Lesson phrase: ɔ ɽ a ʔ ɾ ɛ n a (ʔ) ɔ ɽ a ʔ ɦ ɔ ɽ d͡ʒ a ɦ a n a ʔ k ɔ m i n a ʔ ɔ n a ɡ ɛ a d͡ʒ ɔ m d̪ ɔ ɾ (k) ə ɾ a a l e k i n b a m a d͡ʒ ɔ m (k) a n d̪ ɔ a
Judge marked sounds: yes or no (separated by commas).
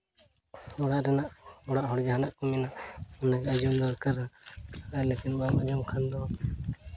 yes, yes, no